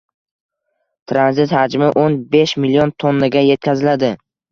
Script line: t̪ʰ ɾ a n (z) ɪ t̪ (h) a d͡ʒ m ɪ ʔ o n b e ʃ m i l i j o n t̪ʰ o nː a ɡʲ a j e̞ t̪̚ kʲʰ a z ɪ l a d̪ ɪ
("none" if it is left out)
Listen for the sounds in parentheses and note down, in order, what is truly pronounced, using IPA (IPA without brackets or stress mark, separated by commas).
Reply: z, h